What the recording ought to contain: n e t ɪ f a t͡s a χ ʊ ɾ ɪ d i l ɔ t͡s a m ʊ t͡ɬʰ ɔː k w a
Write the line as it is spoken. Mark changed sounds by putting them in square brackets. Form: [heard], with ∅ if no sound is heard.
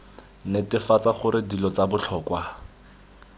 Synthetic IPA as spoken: n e t ɪ f a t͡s a χ ʊ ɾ ɪ d i l ɔ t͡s a [b] ʊ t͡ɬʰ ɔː k w a